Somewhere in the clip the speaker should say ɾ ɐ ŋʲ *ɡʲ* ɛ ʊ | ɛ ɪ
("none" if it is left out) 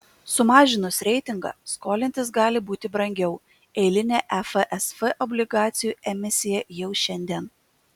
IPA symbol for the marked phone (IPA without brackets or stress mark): ɡʲ